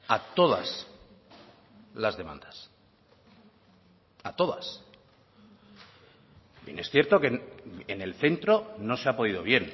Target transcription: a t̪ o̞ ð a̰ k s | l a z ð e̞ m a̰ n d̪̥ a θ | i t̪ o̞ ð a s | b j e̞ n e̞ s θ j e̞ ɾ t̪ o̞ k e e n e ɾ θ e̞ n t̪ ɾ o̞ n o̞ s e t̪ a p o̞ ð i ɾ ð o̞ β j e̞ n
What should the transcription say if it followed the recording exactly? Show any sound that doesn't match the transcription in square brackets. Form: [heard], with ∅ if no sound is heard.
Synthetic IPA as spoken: a t̪ o̞ ð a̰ [∅] s | l a z ð e̞ m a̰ n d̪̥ a [s] | [a] t̪ o̞ ð a s | b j e̞ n e̞ s θ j e̞ ɾ t̪ o̞ k e e n e [l] θ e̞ n t̪ ɾ o̞ n o̞ s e [∅] a p o̞ ð i [∅] ð o̞ β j e̞ n